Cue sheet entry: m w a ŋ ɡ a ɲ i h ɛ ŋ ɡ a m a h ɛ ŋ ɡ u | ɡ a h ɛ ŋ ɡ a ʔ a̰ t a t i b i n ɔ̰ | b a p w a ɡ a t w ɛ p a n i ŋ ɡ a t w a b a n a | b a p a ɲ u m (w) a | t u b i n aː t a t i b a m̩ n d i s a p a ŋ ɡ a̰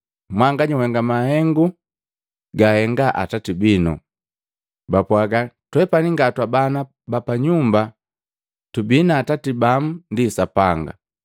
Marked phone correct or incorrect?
incorrect